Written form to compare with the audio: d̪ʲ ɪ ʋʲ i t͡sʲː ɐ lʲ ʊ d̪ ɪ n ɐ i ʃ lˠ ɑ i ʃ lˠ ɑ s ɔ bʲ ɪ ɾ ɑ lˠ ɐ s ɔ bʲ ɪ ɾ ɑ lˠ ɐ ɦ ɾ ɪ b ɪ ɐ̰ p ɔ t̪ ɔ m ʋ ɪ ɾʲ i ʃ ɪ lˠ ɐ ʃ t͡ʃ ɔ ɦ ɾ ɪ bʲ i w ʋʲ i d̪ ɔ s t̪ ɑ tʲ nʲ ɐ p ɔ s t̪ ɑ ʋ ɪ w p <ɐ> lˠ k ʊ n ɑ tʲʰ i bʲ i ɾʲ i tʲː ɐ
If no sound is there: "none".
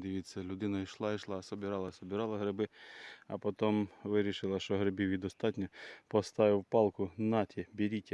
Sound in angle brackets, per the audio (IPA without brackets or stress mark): ɑ